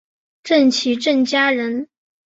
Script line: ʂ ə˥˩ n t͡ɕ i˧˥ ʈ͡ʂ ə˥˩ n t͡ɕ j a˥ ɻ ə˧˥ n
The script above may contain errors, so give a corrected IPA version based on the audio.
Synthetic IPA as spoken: ʈ͡ʂ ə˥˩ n t͡ɕʰ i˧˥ ʈ͡ʂ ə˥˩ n t͡ɕ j a˥ ɻ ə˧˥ n

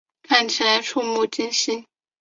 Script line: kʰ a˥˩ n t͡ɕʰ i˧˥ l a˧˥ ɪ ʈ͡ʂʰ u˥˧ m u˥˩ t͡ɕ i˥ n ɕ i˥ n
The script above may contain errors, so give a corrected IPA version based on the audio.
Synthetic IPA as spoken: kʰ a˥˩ n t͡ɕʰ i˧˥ l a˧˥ ɪ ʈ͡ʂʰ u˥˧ m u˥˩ t͡ɕ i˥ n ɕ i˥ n

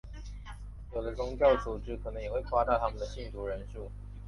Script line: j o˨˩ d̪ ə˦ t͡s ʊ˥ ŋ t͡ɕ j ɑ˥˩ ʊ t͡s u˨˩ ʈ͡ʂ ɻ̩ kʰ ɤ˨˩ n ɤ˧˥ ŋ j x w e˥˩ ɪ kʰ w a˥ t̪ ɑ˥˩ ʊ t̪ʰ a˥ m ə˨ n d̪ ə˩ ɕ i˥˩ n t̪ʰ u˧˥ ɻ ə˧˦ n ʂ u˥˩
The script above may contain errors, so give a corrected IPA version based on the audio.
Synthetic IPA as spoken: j o˨˩ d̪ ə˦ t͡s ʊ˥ ŋ t͡ɕ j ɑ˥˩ ʊ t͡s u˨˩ ʈ͡ʂ ɻ̩ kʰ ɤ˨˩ n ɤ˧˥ ŋ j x w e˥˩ ɪ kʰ w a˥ t̪ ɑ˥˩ ʊ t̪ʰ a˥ m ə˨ n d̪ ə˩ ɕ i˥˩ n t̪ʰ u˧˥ ɻ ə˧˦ n ʂ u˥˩

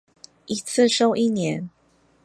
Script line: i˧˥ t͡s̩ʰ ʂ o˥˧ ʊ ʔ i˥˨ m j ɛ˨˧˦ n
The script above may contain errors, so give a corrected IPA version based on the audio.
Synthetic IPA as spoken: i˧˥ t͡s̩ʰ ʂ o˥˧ ʊ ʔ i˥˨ n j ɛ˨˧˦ n

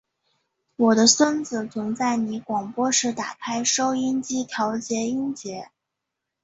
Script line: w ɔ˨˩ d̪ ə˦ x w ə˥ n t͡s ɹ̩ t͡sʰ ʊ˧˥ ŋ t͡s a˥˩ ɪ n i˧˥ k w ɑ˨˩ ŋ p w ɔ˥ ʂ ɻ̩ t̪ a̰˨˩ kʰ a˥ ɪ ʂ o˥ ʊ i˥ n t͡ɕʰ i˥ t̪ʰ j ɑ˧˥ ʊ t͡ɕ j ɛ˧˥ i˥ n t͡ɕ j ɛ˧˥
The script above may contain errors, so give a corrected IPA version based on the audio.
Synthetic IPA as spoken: w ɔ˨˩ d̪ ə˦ s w ə˥ n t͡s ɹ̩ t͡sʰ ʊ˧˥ ŋ t͡s a˥˩ ɪ n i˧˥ k w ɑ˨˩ ŋ p w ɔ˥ ʂ ɻ̩ t̪ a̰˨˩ kʰ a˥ ɪ ʂ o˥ ʊ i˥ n t͡ɕ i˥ t̪ʰ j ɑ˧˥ ʊ t͡ɕ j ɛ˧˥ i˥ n t͡ɕ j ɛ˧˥

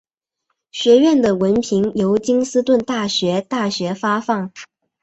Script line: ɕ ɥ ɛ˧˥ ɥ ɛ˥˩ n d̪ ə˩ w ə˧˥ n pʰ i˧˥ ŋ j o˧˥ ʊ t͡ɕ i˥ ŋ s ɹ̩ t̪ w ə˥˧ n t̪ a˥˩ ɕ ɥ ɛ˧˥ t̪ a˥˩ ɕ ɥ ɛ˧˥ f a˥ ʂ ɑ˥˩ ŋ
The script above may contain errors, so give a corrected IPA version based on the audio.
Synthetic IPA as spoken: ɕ ɥ ɛ˧˥ ɥ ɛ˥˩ n d̪ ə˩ w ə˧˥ n pʰ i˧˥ ŋ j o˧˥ ʊ t͡ɕ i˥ ŋ s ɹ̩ t̪ w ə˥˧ n t̪ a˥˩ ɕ ɥ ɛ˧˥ t̪ a˥˩ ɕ ɥ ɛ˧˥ f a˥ f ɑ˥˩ ŋ

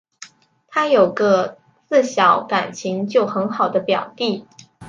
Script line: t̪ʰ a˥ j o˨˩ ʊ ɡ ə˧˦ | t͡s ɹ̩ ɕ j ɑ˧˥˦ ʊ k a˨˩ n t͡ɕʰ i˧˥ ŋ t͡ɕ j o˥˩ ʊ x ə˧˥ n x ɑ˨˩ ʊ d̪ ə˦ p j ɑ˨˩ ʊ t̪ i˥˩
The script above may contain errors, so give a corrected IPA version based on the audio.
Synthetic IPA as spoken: t̪ʰ a˥ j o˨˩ ʊ ɡ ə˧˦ | t͡s ɹ̩ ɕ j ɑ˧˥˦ ʊ k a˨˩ n t͡ɕʰ i˧˥ ŋ t͡ɕ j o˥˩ ʊ x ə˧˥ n x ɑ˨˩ ʊ d̪ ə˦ p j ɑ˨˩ ʊ t̪ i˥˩

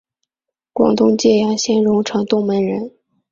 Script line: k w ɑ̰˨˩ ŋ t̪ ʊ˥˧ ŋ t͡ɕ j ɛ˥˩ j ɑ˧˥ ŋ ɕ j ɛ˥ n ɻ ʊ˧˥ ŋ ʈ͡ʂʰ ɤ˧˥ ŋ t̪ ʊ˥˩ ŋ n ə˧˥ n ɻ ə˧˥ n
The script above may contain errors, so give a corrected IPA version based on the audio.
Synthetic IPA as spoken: k w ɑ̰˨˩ ŋ t̪ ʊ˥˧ ŋ t͡ɕ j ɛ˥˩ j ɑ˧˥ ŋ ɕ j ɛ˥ n ɻ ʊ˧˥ ŋ ʈ͡ʂʰ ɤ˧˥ ŋ t̪ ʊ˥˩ ŋ m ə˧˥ n ɻ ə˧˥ n

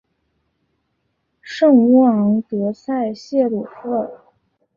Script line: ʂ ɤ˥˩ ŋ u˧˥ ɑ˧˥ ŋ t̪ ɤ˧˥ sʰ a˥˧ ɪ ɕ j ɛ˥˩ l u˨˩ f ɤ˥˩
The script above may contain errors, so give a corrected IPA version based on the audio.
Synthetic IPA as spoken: ʂ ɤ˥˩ ŋ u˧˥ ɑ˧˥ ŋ t̪ ɤ˧˥ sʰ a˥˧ ɪ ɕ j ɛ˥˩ l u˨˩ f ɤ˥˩

